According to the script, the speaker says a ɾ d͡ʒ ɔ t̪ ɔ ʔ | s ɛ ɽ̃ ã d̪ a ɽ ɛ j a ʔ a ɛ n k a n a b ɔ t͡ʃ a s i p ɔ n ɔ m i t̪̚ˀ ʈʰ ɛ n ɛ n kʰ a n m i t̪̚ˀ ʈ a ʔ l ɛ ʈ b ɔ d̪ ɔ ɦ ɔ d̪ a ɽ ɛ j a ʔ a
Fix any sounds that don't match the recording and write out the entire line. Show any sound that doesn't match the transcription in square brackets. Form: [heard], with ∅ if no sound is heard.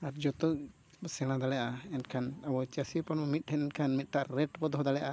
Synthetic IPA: a ɾ d͡ʒ ɔ t̪ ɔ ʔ | s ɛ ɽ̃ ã d̪ a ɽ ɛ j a ʔ a ɛ n [kʰ] a n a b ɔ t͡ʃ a s i p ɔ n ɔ m i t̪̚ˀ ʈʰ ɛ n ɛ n kʰ a n m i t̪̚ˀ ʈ a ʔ [ɾ] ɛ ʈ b ɔ d̪ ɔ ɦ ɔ d̪ a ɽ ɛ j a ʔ a